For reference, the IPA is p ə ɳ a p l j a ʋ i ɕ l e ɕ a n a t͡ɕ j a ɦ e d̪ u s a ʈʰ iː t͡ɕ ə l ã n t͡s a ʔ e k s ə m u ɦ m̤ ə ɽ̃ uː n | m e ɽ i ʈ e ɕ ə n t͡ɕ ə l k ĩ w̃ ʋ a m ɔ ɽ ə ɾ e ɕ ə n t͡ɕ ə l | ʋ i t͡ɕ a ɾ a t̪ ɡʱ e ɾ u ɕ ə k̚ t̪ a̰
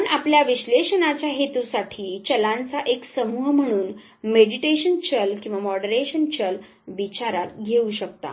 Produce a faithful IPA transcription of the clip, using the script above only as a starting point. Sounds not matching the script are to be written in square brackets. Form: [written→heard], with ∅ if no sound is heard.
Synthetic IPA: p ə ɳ a p l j a ʋ i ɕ l e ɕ [a→ə] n a t͡ɕ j a ɦ e [d̪→t̪] u s a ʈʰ iː t͡ɕ ə l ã n t͡s a ʔ e k s ə m u ɦ m̤ ə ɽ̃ uː n | m e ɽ i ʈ e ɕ ə n t͡ɕ ə l k ĩ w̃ ʋ a m ɔ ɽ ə ɾ e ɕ ə n t͡ɕ ə l | ʋ i t͡ɕ a ɾ a t̪ ɡʱ e [ɾ→∅] u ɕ ə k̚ t̪ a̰

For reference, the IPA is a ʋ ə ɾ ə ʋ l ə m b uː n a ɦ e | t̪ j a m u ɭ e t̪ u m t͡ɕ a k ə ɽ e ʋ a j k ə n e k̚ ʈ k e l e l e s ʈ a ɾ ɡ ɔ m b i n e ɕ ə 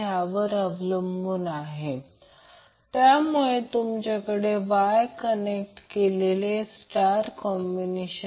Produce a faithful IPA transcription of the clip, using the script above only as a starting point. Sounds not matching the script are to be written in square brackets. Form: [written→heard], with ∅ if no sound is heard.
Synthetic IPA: a ʋ ə ɾ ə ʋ l ə m b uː n a ɦ e | t̪ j a m u ɭ e t̪ u m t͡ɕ a k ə ɽ e ʋ a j k ə n e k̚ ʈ k e l e l e s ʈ a ɾ [ɡ→k] ɔ m b i n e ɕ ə

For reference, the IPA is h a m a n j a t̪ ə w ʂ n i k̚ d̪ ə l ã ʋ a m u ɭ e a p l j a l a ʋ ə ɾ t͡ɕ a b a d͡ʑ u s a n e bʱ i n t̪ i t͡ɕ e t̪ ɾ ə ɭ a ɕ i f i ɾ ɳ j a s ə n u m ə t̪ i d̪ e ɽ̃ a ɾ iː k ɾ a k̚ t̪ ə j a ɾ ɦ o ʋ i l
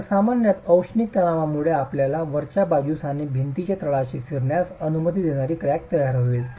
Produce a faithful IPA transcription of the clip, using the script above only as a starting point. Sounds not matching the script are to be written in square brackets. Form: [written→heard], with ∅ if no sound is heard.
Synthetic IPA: [h→s] a m a n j a t̪ ə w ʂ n i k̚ [d̪→t̪] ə l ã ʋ a m u ɭ e a p l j a l a ʋ ə ɾ t͡ɕ a b a d͡ʑ u s a n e bʱ i n t̪ i t͡ɕ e t̪ ɾ ə ɭ a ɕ i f i ɾ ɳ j a s ə n u m ə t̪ i d̪ e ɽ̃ a ɾ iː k ɾ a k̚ t̪ ə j a ɾ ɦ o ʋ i l

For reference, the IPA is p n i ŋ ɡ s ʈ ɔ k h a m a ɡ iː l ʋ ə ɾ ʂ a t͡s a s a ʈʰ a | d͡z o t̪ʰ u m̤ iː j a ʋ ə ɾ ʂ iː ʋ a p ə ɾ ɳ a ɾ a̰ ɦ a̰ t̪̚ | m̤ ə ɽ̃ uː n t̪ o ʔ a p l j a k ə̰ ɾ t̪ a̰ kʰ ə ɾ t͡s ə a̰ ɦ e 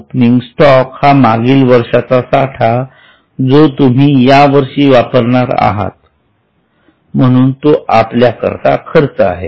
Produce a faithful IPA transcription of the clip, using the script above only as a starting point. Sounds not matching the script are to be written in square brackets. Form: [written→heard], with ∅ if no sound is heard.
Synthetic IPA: p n i ŋ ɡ s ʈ ɔ k h a m a ɡ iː l ʋ ə ɾ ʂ a t͡s a s a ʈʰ a | d͡z o [t̪ʰ→t̪] u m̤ iː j a ʋ ə ɾ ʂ iː ʋ a p ə ɾ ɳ a ɾ a̰ ɦ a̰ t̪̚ | m̤ ə ɽ̃ uː n t̪ o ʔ a p l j a k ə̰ ɾ t̪ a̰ kʰ ə ɾ t͡s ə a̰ ɦ e

